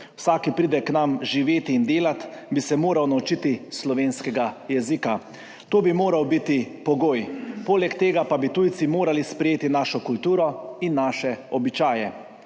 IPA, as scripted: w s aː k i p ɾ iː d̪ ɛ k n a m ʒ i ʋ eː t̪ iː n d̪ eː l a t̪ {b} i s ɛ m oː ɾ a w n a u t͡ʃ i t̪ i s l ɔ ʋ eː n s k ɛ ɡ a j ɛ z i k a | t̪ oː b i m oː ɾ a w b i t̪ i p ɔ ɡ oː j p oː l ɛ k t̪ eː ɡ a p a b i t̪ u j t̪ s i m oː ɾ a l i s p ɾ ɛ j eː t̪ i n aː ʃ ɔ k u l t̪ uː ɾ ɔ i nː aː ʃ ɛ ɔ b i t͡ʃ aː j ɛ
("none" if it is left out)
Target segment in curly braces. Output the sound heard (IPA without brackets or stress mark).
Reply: b